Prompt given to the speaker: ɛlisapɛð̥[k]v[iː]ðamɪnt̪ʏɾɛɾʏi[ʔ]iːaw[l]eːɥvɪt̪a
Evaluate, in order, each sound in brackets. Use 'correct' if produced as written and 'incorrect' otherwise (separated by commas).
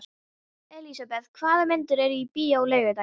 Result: incorrect, incorrect, incorrect, correct